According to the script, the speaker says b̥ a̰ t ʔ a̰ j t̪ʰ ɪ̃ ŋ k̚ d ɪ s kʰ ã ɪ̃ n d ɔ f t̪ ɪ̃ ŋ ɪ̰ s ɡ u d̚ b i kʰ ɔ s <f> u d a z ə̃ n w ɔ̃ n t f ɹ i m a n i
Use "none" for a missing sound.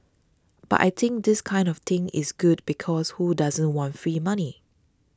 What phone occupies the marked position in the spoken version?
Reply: h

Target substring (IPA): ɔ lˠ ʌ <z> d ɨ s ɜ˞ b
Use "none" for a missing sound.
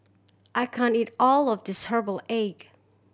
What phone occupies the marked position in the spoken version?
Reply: v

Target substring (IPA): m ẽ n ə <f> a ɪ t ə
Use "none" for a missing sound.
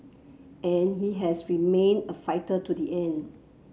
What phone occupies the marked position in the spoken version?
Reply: f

